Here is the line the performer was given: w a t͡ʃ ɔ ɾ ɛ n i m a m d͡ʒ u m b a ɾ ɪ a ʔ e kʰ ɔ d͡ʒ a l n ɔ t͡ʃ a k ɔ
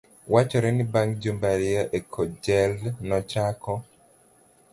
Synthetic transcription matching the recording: w a t͡ʃ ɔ ɾ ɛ n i b a ŋ d͡ʒ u m b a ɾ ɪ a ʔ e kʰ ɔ d͡ʒ ɛ l n ɔ t͡ʃ a k ɔ

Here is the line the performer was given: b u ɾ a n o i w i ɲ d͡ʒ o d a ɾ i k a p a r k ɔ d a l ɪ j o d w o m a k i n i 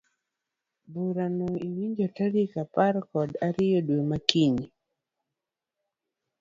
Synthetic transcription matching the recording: b u ɾ a n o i w i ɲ d͡ʒ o t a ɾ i k a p a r k ɔ d a ɾ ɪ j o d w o m a k i ɲ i

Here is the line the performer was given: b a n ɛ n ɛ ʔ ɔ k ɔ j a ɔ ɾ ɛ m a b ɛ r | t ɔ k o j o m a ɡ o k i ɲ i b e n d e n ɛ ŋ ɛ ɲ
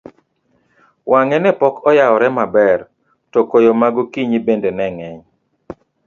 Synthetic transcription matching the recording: w a ŋ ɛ n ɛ p ɔ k ɔ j a ɔ ɾ ɛ m a b ɛ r | t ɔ k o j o m a ɡ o k i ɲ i b e n d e n ɛ ŋ ɛ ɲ

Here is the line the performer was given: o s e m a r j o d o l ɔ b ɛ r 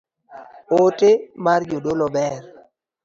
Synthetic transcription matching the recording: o t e m a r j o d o l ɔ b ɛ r

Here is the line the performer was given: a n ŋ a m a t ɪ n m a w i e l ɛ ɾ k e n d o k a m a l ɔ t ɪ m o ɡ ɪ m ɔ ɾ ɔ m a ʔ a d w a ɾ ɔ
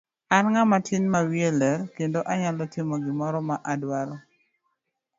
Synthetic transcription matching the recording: a n ŋ a m a t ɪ n m a w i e l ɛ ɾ k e n d o ʔ a ɲ a l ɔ t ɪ m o ɡ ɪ m ɔ ɾ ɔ m a ʔ a d w a ɾ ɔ

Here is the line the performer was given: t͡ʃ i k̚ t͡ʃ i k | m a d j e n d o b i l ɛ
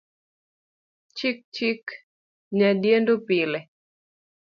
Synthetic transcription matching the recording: t͡ʃ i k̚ t͡ʃ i k | ɲ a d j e n d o p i l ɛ

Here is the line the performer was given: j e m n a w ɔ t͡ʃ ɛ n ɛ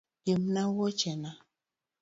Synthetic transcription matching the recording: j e m n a w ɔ t͡ʃ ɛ n a

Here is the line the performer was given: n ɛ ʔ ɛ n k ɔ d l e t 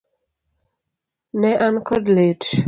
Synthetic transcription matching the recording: n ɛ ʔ a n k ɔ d l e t

